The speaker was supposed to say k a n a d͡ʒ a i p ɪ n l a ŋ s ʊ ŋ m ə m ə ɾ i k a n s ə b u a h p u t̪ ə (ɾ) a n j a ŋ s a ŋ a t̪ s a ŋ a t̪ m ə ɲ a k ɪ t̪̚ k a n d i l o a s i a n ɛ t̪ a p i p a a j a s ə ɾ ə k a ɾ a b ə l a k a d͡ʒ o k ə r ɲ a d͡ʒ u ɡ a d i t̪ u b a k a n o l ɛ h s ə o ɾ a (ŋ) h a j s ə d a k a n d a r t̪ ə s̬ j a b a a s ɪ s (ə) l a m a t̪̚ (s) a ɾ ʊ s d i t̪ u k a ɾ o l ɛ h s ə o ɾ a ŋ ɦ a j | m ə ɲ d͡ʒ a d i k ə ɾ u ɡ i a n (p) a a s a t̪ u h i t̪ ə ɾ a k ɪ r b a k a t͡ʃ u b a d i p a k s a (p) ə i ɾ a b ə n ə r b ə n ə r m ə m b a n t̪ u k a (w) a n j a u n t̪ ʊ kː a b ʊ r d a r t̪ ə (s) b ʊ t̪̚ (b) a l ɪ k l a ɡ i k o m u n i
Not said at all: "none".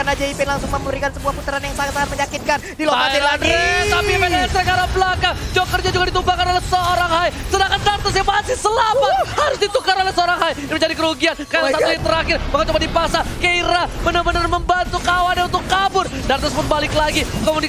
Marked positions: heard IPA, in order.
ɾ, ŋ, ə, h, k, k, w, s, b

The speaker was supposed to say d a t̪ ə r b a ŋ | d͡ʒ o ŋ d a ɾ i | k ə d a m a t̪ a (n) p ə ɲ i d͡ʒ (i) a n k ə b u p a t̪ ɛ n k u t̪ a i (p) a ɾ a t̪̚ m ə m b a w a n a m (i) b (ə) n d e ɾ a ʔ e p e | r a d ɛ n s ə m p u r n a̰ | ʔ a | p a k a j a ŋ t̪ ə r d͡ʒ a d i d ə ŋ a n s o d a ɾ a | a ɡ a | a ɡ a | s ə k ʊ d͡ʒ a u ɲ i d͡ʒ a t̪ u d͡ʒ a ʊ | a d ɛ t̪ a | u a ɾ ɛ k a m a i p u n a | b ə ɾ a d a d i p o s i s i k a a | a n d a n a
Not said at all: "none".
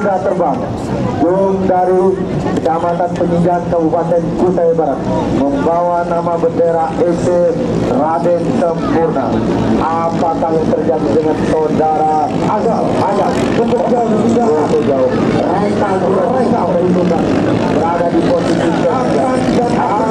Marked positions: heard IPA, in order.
n, a, b, a, ə

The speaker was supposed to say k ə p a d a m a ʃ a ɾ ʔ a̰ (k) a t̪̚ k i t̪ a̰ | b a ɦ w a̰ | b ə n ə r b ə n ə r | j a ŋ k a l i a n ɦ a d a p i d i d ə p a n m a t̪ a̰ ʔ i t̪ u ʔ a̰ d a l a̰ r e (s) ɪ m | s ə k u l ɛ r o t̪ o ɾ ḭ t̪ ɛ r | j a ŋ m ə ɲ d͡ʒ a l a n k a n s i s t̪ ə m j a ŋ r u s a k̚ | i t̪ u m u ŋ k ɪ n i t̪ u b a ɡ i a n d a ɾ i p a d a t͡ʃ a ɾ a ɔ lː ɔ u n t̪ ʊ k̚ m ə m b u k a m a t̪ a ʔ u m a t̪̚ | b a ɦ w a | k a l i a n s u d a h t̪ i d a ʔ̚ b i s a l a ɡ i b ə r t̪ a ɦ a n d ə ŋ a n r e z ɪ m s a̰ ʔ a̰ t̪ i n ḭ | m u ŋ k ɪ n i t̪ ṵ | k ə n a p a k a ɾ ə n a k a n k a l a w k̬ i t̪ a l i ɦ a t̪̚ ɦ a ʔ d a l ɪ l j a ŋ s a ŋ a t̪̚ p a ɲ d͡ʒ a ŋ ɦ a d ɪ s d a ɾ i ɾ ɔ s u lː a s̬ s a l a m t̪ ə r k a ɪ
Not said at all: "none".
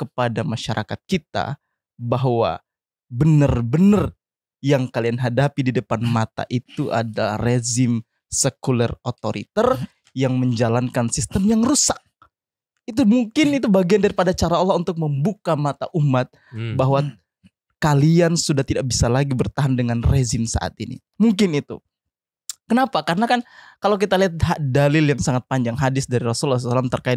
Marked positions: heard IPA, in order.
k, z

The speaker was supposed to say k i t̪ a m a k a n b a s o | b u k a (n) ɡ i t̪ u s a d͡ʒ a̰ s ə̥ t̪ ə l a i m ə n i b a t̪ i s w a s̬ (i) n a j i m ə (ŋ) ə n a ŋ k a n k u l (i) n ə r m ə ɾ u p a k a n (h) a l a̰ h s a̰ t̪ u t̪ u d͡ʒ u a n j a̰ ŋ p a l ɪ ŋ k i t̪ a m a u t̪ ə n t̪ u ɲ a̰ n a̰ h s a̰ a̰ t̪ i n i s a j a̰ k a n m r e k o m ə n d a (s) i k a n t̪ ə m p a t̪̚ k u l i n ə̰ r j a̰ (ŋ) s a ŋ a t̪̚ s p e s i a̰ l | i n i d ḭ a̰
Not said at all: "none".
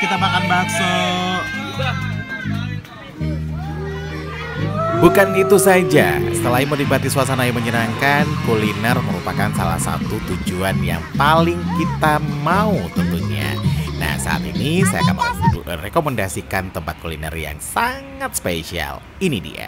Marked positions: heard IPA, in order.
n, a, ɲ, i, s, s, ŋ

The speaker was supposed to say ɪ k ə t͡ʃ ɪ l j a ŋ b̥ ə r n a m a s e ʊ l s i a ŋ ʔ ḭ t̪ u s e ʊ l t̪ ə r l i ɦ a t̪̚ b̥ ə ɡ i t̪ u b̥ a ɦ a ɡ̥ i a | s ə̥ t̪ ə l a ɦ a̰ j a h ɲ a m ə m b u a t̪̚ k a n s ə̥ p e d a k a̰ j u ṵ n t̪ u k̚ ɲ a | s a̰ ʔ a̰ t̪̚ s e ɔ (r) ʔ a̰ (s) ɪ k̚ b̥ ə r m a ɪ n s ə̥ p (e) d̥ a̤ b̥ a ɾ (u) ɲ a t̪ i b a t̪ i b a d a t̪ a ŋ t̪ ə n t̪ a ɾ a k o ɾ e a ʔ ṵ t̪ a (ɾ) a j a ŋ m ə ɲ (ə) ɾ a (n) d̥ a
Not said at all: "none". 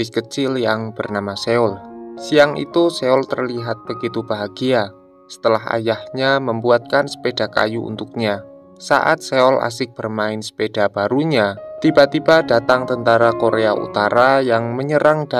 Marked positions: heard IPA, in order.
l, s, e, u, ɾ, ə, ŋ

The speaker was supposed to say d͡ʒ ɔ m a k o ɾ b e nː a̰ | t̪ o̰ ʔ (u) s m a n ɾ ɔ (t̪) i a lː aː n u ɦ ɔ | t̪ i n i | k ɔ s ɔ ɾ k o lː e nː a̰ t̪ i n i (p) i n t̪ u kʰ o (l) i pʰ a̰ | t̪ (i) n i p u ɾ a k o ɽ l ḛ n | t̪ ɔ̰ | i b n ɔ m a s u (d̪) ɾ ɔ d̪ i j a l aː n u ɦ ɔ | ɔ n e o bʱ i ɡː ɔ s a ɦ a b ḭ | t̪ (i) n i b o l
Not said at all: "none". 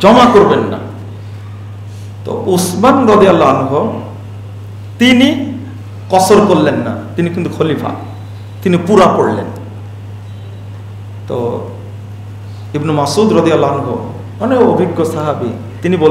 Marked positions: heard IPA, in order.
u, d̪, k, l, i, d̪, i

